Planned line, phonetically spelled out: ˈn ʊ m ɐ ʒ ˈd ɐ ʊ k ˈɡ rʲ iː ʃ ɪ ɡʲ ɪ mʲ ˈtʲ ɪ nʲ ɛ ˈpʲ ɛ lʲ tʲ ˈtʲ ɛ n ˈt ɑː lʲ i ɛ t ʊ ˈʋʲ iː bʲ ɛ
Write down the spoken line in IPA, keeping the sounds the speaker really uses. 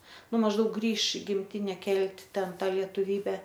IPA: ˈn ʊ m ɐ ʒ ˈd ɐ ʊ k ˈɡ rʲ iː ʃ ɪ ɡʲ ɪ mʲ ˈtʲ ɪ nʲ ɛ ˈkʲ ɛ lʲ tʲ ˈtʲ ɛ n ˈt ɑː lʲ i ɛ t ʊ ˈʋʲ iː bʲ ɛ